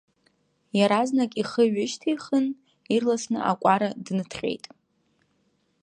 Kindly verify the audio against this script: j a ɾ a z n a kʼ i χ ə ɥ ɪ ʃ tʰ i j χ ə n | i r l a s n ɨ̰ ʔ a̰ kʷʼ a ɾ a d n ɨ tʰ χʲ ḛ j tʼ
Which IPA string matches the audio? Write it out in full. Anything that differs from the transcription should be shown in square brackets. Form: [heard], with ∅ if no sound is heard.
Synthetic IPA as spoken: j a ɾ a z n a kʼ i χ ə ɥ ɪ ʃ tʰ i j χ ə n | i r l a s n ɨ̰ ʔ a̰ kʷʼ a ɾ a d n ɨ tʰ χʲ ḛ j tʼ